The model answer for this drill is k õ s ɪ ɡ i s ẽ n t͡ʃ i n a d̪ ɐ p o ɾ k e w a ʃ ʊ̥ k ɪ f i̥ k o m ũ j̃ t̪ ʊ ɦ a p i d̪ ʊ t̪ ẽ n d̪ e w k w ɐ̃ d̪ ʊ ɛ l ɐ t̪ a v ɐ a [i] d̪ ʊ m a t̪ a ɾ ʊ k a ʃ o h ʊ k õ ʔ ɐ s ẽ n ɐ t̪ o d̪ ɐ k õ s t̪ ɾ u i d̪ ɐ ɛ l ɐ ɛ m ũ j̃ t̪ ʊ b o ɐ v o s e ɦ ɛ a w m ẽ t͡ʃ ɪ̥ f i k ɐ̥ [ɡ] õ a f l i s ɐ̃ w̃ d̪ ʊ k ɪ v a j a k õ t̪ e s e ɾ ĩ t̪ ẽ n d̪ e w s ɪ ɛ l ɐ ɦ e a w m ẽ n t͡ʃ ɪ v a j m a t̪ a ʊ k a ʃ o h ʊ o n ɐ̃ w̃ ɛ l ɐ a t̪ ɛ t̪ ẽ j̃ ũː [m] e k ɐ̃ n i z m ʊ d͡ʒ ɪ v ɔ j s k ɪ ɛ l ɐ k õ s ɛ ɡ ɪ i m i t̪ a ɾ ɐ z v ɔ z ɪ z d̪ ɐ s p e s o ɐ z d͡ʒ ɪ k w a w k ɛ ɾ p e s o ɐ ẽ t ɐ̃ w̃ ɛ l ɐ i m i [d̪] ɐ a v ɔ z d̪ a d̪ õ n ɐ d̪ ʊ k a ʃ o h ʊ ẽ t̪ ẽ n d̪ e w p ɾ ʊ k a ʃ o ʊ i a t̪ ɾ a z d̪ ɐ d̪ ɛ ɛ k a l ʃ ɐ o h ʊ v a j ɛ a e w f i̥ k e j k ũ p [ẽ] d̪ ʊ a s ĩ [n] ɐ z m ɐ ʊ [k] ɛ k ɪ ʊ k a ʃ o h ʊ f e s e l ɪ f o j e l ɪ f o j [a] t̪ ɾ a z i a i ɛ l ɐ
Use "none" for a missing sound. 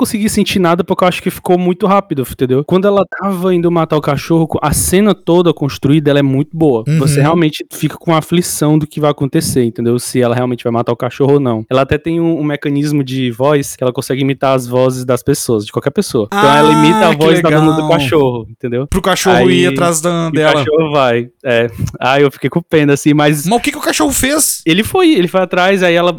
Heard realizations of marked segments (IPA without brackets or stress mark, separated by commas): ĩ, k, m, t̪, ẽ, m, k, a